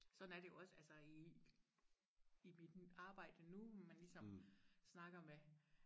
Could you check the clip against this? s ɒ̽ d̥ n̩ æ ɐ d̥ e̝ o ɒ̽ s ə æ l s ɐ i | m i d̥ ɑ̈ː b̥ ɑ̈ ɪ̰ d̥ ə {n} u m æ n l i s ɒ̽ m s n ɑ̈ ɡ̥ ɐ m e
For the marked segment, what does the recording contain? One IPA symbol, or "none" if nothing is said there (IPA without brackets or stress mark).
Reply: n